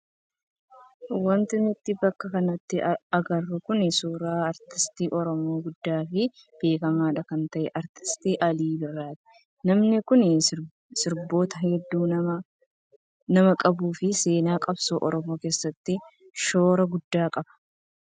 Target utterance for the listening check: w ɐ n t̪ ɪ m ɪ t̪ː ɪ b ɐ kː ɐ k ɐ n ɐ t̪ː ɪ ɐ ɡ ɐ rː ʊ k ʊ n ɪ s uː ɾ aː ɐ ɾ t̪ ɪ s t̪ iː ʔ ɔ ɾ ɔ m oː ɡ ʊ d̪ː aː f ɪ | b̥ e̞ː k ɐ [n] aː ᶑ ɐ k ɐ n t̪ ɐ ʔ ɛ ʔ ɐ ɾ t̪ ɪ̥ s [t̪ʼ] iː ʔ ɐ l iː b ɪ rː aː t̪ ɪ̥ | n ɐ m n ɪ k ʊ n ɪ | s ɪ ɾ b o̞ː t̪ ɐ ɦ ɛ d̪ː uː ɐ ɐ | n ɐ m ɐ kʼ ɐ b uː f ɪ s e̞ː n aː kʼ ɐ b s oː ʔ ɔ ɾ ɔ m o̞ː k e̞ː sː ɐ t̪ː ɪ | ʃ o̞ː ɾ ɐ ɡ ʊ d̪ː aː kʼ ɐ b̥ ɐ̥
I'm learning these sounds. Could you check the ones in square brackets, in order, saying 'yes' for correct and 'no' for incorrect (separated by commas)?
no, no